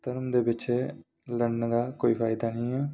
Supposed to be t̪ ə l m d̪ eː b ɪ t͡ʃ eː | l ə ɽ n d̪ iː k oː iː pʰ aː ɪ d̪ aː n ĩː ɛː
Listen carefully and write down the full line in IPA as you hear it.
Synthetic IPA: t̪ ə ɾ m d̪ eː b ɪ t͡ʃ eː | l ə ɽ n d̪ aː k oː iː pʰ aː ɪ d̪ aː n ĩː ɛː